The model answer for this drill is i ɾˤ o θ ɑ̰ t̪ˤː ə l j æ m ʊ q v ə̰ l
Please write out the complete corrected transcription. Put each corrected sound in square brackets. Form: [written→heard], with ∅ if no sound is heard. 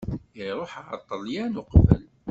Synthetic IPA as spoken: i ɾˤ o [θ→ħ] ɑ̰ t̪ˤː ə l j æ [m→n] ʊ q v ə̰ l